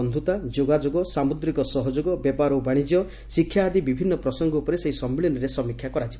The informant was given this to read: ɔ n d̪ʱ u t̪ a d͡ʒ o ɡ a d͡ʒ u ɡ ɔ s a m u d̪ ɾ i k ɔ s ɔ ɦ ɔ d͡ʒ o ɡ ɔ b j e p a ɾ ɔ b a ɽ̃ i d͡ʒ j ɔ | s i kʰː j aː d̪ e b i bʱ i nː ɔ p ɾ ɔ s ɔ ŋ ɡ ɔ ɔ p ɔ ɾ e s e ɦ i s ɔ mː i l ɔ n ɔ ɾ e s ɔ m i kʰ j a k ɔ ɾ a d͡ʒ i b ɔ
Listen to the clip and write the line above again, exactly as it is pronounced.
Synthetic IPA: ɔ n d̪ʱ u t̪ a d͡ʒ o ɡ a d͡ʒ o ɡ ɔ s a m u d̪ ɾ i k ɔ s ɔ ɦ ɔ d͡ʒ o ɡ ɔ b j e p a ɾ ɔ b a ɽ̃ i d͡ʒ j ɔ | s i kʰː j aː d̪ i b i bʱ i nː ɔ p ɾ ɔ s ɔ ŋ ɡ ɔ u p ɔ ɾ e s e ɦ i s ɔ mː i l ɔ n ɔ ɾ e s ɔ m i kʰ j a k ɔ ɾ a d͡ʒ i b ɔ